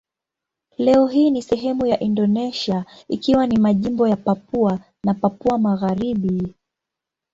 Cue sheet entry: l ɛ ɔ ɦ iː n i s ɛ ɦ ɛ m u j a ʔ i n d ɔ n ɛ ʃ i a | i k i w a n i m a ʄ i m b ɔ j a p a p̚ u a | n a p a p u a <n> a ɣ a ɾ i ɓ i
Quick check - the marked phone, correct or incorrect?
incorrect